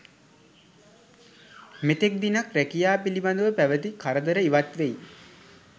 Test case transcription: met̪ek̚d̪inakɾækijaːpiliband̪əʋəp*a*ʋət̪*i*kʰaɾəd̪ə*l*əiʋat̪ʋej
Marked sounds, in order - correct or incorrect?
incorrect, correct, incorrect

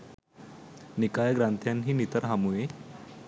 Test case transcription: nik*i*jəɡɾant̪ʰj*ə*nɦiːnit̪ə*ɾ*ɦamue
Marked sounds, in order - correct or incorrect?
incorrect, incorrect, correct

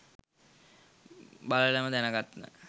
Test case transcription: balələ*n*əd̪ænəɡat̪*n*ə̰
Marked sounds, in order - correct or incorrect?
incorrect, correct

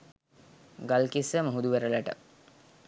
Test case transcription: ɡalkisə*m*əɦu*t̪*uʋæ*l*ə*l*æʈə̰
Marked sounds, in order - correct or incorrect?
correct, incorrect, incorrect, correct

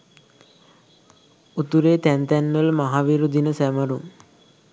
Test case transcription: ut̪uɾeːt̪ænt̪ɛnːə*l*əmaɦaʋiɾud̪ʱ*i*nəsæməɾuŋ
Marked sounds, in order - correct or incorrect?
correct, correct

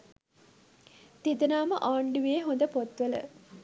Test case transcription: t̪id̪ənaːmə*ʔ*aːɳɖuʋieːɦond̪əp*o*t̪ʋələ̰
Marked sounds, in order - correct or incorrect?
correct, correct

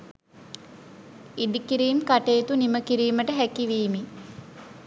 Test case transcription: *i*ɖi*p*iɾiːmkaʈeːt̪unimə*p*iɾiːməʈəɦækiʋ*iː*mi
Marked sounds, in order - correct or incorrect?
correct, incorrect, incorrect, correct

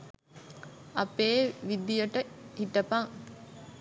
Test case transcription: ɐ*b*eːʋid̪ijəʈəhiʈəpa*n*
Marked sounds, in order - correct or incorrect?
incorrect, incorrect

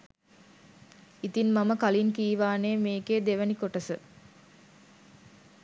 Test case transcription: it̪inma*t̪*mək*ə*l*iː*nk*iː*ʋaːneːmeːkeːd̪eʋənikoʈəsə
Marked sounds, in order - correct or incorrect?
incorrect, incorrect, incorrect, correct

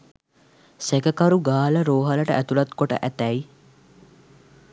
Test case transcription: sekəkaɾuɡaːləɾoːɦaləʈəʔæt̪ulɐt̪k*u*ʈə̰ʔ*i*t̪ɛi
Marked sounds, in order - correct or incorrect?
incorrect, incorrect

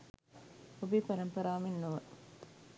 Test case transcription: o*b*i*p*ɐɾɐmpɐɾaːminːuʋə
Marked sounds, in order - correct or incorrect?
correct, correct

